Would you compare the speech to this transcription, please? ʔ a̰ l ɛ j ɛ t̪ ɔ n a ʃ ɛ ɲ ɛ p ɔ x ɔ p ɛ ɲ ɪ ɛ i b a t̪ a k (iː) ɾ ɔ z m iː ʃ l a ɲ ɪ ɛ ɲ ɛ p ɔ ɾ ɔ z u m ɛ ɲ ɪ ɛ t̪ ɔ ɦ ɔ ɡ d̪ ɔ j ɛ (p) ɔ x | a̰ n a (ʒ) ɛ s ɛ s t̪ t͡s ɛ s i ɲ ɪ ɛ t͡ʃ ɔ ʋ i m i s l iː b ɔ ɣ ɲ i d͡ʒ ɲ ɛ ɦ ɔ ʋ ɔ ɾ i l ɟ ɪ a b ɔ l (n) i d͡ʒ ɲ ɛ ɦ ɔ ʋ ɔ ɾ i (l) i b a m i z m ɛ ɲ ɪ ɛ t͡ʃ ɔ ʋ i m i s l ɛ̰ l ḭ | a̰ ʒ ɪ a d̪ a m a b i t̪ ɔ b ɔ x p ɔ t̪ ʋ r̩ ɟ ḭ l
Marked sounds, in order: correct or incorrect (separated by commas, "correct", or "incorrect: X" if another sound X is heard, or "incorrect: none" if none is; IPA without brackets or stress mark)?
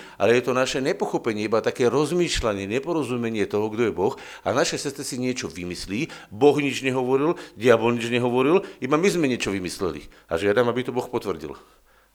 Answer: incorrect: ɛː, incorrect: b, incorrect: ʃ, incorrect: ɲ, correct